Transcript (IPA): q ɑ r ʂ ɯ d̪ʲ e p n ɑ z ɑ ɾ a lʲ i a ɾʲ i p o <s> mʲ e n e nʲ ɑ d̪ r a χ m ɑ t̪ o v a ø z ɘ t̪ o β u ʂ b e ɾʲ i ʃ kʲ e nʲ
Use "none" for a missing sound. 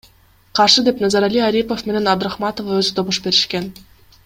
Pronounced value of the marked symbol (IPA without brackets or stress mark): f